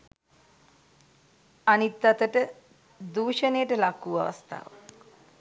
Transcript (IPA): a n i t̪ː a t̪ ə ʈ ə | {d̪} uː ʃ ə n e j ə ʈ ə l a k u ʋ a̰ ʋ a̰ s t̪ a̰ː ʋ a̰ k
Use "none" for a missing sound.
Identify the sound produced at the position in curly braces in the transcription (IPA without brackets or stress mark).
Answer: d̪